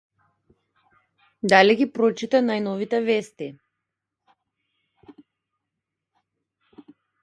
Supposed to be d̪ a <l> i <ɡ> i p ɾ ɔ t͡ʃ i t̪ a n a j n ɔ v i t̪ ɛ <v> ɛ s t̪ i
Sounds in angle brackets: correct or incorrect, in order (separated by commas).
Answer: correct, correct, correct